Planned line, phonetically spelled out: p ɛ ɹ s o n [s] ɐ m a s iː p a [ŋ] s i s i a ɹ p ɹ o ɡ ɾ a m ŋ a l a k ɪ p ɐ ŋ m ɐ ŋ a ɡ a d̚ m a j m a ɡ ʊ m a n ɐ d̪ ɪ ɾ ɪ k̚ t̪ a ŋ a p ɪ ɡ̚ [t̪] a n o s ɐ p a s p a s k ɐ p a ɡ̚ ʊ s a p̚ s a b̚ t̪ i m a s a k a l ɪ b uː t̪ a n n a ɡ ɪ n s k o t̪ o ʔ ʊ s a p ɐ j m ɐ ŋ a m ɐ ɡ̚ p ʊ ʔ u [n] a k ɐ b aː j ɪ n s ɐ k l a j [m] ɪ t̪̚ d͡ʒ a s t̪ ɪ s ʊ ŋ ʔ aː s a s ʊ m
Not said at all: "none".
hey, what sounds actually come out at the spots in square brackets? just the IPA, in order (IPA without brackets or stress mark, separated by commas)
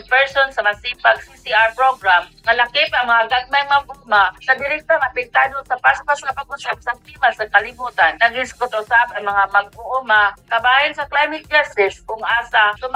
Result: s, ɡ, t̪, m, m